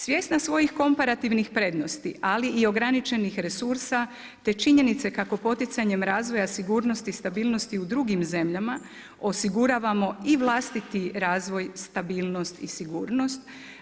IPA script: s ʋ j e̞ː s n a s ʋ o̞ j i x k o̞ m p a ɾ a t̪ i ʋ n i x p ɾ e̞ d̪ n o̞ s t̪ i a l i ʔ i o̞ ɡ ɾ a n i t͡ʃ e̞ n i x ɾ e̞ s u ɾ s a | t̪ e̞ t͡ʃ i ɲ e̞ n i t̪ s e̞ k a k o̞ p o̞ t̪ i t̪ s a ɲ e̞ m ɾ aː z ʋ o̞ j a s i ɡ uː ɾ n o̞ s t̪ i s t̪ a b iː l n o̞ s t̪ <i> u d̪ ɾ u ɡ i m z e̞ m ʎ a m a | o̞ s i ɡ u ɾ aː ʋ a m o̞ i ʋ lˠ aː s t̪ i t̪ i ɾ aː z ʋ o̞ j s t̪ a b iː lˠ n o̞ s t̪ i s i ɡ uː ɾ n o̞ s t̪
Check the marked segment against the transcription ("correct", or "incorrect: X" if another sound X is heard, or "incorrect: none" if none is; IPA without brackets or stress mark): correct